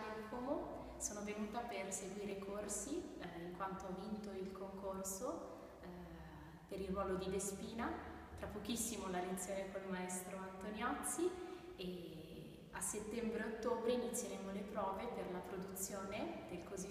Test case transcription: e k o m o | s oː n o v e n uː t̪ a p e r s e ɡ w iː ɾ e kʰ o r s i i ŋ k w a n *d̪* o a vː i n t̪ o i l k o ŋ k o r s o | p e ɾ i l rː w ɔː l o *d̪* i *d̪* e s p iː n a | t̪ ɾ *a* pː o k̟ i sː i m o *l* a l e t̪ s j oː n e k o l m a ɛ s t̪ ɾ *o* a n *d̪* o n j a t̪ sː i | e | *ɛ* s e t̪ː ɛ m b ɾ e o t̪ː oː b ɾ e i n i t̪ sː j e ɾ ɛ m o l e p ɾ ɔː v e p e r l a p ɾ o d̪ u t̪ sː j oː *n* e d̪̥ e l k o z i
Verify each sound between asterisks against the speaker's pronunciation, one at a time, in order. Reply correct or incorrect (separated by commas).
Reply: incorrect, correct, correct, correct, correct, correct, incorrect, incorrect, correct